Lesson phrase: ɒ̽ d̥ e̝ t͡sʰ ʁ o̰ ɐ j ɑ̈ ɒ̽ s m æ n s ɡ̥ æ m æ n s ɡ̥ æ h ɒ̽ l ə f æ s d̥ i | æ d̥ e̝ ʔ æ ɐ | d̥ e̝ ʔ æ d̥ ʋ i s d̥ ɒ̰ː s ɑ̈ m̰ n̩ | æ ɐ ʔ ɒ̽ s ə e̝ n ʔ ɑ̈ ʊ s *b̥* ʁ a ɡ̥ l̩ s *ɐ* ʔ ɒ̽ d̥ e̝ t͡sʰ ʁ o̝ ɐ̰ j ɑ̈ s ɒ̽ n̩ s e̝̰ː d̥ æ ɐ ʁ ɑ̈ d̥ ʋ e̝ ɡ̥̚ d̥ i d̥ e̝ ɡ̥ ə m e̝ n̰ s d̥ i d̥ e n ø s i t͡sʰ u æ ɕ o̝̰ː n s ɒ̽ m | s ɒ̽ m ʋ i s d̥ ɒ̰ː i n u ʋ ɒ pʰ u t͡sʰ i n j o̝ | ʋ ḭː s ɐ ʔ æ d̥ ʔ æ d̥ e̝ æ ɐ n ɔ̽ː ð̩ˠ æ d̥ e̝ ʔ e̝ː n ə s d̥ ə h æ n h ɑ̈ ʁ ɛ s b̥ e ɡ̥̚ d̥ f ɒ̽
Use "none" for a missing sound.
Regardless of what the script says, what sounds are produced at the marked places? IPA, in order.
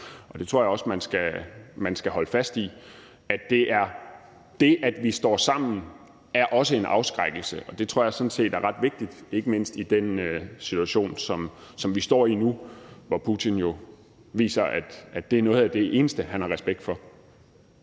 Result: ɡ̥, ə

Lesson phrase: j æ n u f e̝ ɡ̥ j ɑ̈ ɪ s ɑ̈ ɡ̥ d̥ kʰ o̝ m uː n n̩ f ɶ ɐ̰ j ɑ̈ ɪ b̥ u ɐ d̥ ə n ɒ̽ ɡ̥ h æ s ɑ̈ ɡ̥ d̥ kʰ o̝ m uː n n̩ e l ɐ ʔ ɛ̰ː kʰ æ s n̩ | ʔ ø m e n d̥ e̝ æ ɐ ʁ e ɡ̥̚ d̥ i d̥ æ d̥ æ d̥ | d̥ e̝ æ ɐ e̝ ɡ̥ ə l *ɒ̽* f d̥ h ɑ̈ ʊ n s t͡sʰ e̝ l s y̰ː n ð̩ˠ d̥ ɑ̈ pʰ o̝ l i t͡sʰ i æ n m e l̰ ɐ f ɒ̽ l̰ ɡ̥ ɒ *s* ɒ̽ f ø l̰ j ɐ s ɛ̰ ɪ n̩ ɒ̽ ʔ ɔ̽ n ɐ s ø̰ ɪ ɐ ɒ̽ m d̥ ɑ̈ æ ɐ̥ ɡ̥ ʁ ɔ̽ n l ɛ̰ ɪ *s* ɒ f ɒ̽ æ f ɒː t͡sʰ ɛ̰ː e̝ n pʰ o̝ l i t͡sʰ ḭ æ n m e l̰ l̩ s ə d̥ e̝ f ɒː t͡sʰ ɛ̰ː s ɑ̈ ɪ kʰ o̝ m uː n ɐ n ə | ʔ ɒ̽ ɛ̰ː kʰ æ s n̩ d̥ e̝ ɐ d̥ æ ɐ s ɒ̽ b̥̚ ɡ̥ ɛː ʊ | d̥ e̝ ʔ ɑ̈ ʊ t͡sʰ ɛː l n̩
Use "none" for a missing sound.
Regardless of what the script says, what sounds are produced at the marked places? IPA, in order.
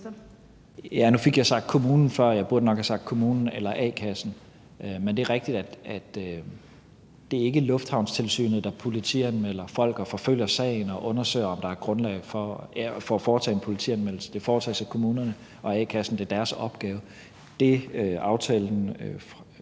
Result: ɔ̽, f, f

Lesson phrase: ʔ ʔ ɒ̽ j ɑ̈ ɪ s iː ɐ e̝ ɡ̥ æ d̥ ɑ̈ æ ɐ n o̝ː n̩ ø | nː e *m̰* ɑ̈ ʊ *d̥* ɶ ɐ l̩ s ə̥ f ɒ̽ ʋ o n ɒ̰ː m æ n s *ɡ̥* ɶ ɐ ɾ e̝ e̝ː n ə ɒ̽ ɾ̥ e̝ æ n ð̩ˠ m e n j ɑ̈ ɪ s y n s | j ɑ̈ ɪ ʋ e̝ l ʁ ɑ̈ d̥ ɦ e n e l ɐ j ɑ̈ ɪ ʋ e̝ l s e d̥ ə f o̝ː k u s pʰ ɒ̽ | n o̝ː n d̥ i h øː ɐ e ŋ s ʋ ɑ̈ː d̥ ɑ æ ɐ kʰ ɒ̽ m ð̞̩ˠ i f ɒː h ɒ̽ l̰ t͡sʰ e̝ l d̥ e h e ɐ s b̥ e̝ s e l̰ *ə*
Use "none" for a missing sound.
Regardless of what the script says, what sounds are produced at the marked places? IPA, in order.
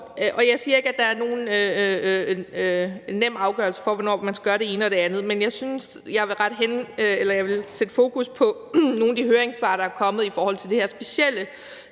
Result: m̰, ɡ̥, ɡ̥, ə

